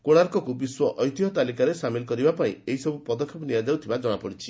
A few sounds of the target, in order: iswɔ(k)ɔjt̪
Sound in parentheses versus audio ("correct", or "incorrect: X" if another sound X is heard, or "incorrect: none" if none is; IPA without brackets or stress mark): incorrect: ʔ